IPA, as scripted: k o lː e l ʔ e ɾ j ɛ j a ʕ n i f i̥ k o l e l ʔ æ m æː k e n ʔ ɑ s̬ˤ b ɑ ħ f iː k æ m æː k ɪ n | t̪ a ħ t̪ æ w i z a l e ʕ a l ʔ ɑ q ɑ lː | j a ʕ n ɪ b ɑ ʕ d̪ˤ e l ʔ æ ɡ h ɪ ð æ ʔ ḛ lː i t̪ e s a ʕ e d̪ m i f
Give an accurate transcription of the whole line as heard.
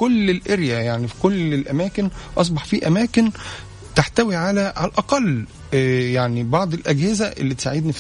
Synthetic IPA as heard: k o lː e l ʔ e ɾ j æ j a ʕ n i f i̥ k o l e l ʔ æ m æː k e n ʔ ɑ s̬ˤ b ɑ ħ f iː ʔ æ m æː k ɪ n | t̪ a ħ t̪ æ w i ʕ a l æ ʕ a l ʔ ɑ q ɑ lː | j a ʕ n i b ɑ ʕ d̪ˤ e l ʔ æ ɡ h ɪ z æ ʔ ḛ lː i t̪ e s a ʕ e d̪ n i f